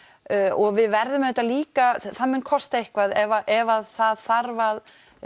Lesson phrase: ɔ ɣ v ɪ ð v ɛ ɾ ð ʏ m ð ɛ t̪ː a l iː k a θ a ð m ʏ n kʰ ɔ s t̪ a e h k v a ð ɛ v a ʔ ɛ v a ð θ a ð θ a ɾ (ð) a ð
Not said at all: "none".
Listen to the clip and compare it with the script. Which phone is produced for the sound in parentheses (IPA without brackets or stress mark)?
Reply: v